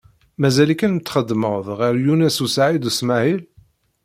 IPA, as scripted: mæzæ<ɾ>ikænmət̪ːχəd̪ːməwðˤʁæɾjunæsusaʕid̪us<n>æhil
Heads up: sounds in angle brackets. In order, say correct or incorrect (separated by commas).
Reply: incorrect, incorrect